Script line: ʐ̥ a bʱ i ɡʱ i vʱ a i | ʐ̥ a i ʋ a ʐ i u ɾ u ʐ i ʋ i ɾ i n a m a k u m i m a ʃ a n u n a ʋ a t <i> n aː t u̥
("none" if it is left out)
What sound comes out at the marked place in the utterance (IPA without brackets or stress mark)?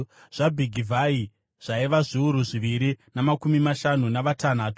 a